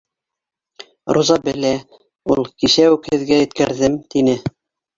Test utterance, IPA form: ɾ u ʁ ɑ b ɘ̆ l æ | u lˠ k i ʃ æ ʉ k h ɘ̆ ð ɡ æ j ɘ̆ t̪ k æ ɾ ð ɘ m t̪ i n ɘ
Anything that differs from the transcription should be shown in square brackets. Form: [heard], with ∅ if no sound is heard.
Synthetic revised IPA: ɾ u [z] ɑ b ɘ̆ l æ | u lˠ k i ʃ æ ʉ k h ɘ̆ ð ɡ æ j ɘ̆ t̪ k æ ɾ ð ɘ m t̪ i n ɘ